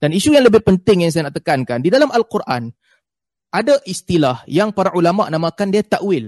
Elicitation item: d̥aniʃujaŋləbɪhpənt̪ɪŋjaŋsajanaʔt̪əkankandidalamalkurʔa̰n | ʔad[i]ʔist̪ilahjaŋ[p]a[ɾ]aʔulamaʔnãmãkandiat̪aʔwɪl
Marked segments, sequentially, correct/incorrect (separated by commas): incorrect, correct, correct